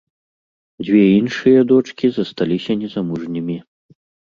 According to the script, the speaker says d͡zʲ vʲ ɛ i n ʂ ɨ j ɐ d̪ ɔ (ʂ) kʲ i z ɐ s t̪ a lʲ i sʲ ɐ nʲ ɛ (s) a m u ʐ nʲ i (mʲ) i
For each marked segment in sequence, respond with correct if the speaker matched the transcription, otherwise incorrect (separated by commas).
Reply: incorrect, incorrect, correct